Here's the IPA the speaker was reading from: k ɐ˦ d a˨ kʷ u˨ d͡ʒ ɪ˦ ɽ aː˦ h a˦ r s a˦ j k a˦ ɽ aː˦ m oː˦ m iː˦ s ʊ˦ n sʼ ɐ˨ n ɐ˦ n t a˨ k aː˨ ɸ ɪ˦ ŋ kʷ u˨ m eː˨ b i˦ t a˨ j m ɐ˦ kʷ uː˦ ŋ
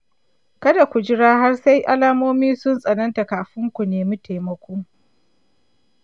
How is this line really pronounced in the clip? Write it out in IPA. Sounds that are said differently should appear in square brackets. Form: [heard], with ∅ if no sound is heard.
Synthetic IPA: k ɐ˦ d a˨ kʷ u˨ d͡ʒ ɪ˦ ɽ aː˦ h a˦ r s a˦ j [ʔ] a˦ [l] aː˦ m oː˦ m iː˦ s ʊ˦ n sʼ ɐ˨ n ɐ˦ n t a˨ k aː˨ ɸ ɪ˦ ŋ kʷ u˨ [n] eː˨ [m] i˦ t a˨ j m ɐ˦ kʷ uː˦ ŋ

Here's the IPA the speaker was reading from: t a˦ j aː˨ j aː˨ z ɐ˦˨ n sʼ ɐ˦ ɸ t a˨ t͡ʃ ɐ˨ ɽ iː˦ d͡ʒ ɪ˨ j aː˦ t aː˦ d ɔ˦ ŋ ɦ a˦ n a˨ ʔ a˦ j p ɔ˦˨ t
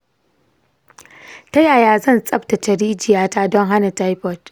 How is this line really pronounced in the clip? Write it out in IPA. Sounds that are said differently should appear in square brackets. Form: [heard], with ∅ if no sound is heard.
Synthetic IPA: t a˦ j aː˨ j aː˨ z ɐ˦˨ n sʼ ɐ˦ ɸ t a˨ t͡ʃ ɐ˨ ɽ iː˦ d͡ʒ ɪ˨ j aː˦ t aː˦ d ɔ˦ ŋ ɦ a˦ n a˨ [t] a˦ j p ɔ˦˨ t

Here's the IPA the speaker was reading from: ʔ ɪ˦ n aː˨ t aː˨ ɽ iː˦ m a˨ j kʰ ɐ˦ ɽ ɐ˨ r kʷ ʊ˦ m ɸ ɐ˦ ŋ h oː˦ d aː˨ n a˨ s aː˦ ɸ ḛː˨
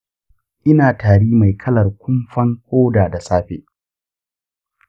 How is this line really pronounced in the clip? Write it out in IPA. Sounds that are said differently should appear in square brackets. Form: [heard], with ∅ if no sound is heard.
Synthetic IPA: ʔ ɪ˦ n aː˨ t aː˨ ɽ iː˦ m a˨ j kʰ ɐ˦ [l] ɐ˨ r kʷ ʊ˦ m ɸ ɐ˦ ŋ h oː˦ d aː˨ [d] a˨ s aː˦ ɸ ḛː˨

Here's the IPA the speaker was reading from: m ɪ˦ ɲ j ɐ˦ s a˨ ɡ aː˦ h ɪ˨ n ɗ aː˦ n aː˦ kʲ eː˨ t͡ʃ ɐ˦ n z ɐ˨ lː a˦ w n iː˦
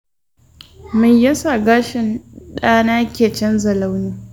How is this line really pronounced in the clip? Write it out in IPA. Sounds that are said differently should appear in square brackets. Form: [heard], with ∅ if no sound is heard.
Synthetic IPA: m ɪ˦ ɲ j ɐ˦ s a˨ ɡ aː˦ [ʃ] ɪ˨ n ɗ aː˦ n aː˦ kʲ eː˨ t͡ʃ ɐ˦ n z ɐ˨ [l] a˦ w n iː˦

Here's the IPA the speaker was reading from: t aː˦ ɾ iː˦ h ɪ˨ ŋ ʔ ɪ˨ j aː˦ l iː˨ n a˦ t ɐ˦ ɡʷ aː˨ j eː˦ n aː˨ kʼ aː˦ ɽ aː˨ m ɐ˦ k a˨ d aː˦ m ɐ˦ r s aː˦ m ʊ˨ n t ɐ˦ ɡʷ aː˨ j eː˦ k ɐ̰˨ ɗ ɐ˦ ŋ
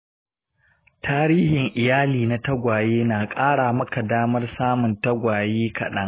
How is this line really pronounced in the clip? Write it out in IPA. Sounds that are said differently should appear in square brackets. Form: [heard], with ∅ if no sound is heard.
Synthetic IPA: t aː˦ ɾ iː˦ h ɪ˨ ŋ ʔ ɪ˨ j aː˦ l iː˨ n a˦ t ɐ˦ ɡʷ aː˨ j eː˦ n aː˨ kʼ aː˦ ɽ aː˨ m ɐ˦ k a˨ d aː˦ m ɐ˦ r s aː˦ m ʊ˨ n t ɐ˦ ɡʷ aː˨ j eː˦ k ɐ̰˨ ɗ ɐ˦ ŋ

